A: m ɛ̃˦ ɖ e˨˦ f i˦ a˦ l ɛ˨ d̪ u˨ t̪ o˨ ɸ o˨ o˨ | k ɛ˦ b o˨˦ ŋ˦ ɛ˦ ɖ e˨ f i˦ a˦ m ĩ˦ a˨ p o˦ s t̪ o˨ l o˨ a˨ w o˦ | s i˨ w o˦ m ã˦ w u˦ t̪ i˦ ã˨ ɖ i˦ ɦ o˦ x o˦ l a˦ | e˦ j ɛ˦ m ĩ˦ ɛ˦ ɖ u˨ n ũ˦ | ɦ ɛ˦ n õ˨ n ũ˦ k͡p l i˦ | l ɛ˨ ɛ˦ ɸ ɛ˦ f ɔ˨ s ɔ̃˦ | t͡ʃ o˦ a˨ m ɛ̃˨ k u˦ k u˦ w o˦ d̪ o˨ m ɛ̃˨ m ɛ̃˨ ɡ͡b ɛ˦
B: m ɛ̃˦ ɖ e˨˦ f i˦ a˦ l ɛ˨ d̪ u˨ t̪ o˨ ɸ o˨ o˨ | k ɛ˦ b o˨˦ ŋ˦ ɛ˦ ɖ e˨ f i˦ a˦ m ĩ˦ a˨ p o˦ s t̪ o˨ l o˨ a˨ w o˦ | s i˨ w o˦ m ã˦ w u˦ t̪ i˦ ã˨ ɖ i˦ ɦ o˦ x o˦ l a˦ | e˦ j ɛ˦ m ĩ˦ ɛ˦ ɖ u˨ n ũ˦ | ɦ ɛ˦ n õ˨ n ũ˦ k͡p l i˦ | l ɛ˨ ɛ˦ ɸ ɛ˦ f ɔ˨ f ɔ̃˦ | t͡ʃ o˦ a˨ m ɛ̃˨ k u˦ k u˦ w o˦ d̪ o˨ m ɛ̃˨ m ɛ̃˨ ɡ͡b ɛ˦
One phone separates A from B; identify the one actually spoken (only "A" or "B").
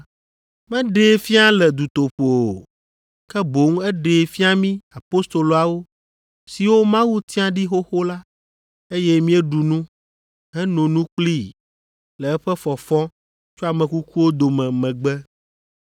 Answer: B